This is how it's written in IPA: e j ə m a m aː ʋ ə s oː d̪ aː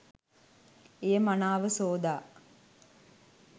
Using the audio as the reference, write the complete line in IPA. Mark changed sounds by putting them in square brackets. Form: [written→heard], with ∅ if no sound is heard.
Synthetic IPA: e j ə m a [m→n] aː ʋ ə s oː d̪ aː